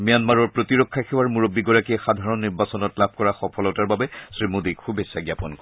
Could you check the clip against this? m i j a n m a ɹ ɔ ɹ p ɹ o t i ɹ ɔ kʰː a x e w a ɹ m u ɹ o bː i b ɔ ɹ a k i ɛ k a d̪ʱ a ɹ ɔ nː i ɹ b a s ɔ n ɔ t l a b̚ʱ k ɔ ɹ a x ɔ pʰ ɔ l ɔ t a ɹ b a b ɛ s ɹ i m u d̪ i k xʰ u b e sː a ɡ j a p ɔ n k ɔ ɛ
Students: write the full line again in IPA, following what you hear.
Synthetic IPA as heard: m i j a n m a ɹ ɔ ɹ p ɹ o t i ɹ ɔ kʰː a x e w a ɹ m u ɹ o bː i ɡ ɔ ɹ a k i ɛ x a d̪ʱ a ɹ ɔ nː i ɹ b a s ɔ n ɔ t l a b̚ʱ k ɔ ɹ a x ɔ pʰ ɔ l ɔ t a ɹ b a b ɛ s ɹ i m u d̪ i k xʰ u b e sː a ɡ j a p ɔ n k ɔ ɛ